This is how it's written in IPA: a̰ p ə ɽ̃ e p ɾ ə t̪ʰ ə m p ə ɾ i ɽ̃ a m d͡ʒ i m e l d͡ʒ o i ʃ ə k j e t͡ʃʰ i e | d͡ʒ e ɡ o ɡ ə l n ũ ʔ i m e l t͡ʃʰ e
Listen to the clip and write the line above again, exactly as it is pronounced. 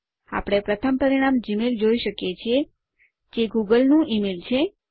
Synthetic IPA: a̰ p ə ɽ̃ e p ɾ ə t̪ʰ ə m p ə ɾ i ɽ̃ a m d͡ʒ i m e l d͡ʒ o i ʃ ə k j e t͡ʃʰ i e | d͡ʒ e ɡ u ɡ ə l n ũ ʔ i m e l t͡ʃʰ e